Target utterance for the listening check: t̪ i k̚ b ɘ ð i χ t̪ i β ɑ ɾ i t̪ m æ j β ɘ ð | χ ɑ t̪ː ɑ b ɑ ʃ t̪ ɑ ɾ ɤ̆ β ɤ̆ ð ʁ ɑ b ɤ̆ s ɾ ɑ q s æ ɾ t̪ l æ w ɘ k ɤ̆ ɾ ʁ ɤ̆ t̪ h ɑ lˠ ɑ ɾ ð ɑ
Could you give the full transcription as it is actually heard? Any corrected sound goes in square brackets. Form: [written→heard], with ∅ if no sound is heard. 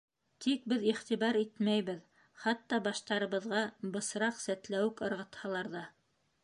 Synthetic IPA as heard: t̪ i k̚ b ɘ ð i χ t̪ i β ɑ ɾ i t̪ m æ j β ɘ ð | χ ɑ t̪ː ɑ b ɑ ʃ t̪ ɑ ɾ ɤ̆ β ɤ̆ ð ʁ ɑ b ɤ̆ s ɾ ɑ q s æ [ɾ→∅] t̪ l æ w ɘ k ɤ̆ ɾ ʁ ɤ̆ t̪ h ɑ lˠ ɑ ɾ ð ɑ